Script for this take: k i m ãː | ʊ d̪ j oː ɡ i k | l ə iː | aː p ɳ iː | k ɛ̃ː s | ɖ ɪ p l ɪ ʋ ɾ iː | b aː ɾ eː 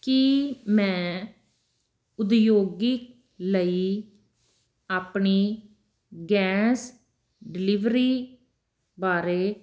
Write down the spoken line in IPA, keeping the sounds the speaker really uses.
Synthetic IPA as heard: k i m ɛ̃ː | ʊ d̪ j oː ɡ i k | l ə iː | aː p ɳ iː | ɡ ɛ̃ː s | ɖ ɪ l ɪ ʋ ɾ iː | b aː ɾ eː